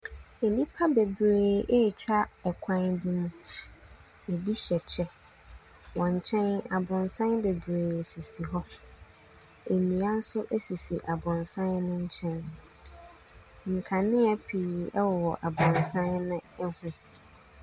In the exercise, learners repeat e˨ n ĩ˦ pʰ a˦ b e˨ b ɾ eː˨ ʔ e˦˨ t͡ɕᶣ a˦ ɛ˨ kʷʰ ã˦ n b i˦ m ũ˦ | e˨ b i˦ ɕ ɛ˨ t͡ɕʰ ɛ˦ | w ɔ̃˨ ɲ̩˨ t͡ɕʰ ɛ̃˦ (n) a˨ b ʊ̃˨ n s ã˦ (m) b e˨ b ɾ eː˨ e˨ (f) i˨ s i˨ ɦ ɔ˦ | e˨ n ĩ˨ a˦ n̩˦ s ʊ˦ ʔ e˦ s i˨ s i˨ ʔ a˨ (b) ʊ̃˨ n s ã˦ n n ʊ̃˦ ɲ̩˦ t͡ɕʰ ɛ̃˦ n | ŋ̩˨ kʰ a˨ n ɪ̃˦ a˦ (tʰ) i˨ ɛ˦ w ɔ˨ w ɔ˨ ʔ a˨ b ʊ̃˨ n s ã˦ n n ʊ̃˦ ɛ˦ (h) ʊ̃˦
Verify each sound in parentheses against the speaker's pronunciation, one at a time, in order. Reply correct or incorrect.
correct, incorrect: n, incorrect: s, correct, incorrect: pʰ, correct

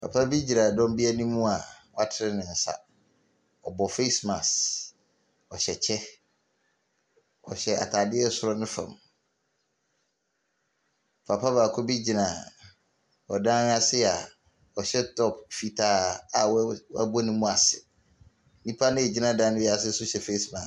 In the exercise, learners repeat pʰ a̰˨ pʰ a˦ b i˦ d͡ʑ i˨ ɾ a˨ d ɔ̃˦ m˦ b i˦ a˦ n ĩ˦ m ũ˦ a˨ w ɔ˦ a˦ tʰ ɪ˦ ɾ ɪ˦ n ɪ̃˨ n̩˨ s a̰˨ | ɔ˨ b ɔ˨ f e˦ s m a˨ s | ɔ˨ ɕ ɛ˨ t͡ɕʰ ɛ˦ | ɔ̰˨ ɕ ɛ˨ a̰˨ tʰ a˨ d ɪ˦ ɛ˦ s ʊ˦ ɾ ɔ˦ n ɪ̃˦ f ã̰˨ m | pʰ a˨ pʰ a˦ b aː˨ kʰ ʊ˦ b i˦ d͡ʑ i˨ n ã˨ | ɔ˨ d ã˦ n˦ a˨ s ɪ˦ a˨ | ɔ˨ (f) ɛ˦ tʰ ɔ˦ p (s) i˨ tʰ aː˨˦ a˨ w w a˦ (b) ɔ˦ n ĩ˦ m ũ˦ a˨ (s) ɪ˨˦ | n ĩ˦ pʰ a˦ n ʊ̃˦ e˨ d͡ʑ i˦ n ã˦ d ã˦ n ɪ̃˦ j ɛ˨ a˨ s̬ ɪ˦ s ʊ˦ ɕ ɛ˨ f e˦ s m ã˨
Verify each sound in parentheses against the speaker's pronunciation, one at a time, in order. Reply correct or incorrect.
incorrect: ɕ, incorrect: f, correct, correct

